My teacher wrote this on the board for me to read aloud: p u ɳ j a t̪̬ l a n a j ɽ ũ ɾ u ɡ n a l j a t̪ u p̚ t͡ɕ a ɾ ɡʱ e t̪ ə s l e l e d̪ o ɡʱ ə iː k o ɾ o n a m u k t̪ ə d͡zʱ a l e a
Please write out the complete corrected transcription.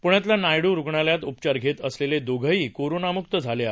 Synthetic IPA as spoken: p u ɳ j a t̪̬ l a n a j ɽ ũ ɾ u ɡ ɳ a l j a t̪ u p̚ t͡ɕ a ɾ ɡʱ e t̪ ə s l e l e d̪ o ɡʱ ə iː k o ɾ o n a m u k t̪ ə d͡zʱ a l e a